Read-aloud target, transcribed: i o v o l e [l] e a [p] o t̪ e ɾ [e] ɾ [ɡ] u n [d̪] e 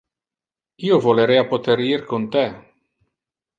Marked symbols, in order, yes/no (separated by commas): no, yes, no, no, no